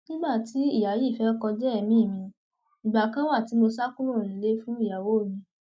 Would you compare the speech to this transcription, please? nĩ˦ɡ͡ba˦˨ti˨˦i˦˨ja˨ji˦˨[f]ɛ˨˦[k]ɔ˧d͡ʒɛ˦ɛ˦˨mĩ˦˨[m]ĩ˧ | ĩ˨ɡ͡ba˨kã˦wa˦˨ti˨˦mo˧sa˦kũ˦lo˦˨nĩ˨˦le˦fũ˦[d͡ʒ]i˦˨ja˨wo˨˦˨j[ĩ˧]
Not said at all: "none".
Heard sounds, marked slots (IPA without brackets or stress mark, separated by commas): f, k, m, none, ĩ˧